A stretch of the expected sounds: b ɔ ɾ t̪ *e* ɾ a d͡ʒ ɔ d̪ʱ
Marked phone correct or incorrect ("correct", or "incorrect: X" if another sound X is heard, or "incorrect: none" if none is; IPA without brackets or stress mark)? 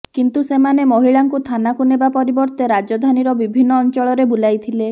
correct